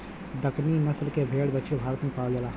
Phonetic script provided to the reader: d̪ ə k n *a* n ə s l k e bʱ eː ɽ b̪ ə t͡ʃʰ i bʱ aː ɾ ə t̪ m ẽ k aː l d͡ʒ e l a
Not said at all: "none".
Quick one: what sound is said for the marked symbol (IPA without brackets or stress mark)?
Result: i